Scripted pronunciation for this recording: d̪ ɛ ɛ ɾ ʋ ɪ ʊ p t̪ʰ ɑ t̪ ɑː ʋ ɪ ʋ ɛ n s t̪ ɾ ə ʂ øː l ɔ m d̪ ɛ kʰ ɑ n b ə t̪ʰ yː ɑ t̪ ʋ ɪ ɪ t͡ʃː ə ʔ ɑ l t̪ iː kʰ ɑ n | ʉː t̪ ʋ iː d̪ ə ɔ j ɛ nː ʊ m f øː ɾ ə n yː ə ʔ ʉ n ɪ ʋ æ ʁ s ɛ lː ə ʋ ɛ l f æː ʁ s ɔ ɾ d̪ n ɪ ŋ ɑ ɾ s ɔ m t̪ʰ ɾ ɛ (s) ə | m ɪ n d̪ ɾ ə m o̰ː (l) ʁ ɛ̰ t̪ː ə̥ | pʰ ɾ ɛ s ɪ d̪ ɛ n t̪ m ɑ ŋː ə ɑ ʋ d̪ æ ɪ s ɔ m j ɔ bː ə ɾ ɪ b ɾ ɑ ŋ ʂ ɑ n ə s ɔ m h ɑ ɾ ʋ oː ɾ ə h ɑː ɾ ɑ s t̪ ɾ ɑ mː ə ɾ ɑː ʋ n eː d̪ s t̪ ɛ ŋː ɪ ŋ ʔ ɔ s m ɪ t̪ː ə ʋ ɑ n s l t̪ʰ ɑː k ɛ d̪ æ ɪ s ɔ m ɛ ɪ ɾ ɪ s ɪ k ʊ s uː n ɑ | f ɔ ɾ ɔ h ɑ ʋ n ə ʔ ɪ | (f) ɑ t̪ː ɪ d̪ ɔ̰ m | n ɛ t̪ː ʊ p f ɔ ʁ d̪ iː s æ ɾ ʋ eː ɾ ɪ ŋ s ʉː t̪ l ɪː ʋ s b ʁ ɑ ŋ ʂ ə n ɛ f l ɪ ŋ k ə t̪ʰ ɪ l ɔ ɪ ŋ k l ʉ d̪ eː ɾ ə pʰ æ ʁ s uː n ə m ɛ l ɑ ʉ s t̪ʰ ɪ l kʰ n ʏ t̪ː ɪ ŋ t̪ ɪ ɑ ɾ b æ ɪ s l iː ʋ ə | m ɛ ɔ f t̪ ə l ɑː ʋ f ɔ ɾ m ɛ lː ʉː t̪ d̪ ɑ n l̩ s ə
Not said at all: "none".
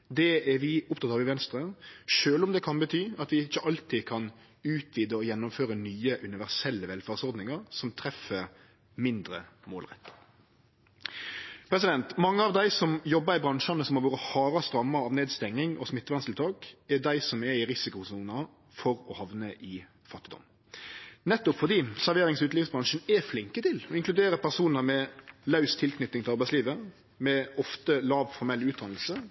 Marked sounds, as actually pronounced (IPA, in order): f, l, f

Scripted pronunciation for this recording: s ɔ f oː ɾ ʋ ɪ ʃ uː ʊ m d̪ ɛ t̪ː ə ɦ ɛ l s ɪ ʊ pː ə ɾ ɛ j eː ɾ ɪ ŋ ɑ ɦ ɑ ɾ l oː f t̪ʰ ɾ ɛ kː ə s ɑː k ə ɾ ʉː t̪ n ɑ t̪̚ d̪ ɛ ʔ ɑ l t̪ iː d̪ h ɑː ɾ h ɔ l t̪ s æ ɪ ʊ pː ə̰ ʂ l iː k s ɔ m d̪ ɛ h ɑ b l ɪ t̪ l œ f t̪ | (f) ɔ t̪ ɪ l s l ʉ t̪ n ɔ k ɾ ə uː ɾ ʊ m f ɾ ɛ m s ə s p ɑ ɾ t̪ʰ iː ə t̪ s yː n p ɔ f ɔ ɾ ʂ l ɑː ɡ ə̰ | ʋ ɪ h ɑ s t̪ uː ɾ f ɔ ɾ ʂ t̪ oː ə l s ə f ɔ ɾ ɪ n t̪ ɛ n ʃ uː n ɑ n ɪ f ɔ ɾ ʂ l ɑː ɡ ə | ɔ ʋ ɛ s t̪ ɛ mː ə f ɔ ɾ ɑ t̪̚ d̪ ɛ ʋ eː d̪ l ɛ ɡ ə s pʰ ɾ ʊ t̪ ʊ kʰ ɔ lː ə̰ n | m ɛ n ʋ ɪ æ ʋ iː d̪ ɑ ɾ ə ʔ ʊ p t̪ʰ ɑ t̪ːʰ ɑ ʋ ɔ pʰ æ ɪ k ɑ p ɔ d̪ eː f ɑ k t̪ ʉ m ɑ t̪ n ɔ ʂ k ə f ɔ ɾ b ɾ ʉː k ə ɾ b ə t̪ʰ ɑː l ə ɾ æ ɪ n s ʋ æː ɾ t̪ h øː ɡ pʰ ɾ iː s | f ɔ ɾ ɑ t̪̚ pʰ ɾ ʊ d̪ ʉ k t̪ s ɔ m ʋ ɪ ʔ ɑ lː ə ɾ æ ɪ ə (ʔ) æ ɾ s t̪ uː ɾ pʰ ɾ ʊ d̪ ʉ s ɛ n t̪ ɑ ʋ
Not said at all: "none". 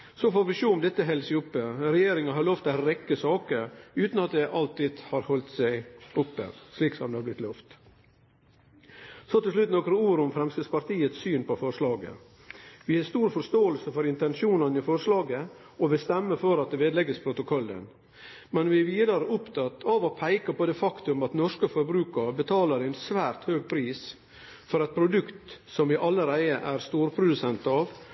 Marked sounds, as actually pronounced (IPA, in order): s, ʔ

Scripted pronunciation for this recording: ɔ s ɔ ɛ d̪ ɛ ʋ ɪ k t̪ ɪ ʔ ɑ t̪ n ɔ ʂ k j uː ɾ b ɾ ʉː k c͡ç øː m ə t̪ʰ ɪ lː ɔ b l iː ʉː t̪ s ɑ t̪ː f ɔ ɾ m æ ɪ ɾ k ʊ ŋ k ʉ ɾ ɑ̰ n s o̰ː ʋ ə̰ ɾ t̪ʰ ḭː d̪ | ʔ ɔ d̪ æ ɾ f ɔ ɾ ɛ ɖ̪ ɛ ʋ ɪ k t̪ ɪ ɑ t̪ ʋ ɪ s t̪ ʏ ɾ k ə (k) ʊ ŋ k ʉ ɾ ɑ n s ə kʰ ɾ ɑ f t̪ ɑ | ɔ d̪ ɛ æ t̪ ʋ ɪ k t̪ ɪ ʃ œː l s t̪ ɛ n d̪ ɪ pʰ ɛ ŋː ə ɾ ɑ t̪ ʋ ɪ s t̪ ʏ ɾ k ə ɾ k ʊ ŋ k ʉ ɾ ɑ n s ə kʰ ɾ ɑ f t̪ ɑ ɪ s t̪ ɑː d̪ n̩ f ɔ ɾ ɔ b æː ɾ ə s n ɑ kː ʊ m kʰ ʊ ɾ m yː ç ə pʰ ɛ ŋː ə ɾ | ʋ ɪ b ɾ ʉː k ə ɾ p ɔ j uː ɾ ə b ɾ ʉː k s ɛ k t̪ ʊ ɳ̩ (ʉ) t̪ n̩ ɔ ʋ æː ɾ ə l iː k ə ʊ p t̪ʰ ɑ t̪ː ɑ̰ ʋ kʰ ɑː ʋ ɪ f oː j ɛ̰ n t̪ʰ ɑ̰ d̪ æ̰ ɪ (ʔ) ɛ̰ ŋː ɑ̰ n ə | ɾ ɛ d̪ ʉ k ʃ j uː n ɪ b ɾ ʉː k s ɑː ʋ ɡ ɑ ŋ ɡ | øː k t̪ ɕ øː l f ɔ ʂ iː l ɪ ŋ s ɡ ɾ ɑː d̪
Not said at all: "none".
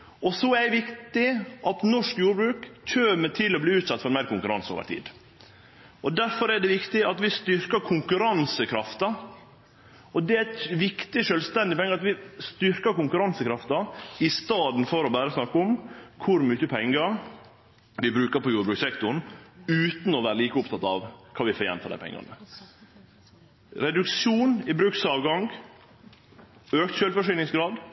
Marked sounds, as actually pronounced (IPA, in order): kʰ, ʉː, p

